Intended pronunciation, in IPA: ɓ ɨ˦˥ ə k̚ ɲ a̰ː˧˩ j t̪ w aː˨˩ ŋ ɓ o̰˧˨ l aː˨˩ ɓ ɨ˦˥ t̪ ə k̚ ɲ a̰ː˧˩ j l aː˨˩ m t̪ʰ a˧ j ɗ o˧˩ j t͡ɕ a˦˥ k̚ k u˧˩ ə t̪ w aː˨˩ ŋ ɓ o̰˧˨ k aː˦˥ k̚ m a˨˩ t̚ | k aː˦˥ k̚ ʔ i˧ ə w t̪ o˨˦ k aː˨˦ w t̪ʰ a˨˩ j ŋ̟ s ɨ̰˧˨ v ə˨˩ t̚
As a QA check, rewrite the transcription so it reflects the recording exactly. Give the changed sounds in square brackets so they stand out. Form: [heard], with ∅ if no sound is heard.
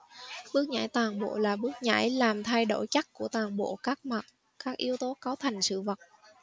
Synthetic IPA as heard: ɓ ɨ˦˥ ə k̚ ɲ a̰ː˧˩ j t̪ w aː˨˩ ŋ ɓ o̰˧˨ l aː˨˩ ɓ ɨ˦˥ [∅] ə k̚ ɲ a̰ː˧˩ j l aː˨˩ m t̪ʰ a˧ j ɗ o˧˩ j t͡ɕ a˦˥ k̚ k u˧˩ ə t̪ w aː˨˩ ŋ ɓ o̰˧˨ k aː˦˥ k̚ m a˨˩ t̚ | k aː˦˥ k̚ ʔ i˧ ə w t̪ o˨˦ k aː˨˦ w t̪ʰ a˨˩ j ŋ̟ s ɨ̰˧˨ v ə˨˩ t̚